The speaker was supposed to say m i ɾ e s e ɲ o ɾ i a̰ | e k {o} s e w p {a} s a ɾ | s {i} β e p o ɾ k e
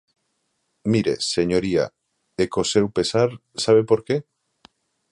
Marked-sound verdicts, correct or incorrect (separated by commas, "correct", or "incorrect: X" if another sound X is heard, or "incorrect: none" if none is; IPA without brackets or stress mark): correct, incorrect: e, incorrect: a